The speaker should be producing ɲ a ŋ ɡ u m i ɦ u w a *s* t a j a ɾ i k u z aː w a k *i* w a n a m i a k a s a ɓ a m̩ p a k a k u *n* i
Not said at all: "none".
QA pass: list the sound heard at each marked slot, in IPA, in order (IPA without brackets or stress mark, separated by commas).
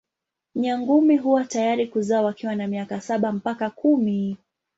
none, i, m